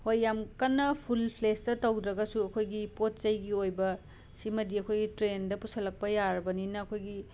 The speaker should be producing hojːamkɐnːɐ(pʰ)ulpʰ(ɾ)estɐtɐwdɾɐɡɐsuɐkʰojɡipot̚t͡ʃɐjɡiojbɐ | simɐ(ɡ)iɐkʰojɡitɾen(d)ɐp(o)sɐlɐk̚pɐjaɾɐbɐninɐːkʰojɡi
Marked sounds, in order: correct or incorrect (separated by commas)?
correct, incorrect, incorrect, correct, incorrect